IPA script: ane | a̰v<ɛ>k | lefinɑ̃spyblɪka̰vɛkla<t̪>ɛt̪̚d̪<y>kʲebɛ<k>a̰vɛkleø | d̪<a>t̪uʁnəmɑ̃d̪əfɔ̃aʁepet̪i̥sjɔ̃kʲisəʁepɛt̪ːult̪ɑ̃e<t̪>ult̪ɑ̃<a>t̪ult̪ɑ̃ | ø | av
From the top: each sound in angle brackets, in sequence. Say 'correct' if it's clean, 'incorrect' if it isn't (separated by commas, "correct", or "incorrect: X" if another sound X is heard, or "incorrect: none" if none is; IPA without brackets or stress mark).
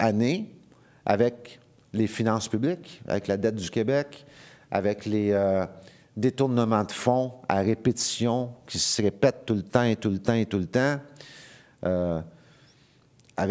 correct, incorrect: d̪, correct, correct, incorrect: e, correct, incorrect: e